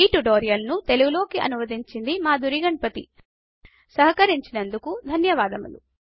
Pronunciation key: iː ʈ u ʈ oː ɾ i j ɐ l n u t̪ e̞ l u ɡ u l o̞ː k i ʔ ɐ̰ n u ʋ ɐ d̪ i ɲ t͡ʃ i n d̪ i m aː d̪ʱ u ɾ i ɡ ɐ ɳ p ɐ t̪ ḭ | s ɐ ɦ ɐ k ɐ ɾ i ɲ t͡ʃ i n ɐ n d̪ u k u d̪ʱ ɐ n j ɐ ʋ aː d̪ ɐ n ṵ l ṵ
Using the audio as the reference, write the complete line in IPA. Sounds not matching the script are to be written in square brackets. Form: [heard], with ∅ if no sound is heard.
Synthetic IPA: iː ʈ u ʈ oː ɾ i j ɐ l n u t̪ e̞ l u ɡ u l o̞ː k i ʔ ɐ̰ n u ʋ ɐ d̪ i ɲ t͡ʃ i n d̪ i m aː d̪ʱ u ɾ i ɡ ɐ ɳ p ɐ t̪ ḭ | s ɐ ɦ ɐ k ɐ ɾ i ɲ t͡ʃ i n ɐ n d̪ u k u d̪ʱ ɐ n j ɐ ʋ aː d̪ ɐ [m] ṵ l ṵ